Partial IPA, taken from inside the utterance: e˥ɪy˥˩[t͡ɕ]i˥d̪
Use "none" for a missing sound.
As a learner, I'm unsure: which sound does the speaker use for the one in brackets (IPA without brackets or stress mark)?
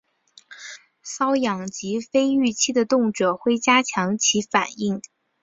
t͡ɕʰ